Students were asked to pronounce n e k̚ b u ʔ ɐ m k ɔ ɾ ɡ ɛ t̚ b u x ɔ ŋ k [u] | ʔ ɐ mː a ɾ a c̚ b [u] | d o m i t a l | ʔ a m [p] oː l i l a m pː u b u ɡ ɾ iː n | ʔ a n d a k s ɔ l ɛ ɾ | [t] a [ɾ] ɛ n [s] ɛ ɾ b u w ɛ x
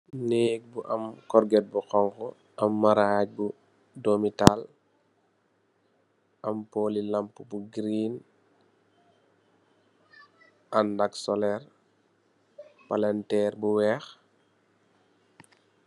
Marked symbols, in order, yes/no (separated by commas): no, yes, yes, no, no, no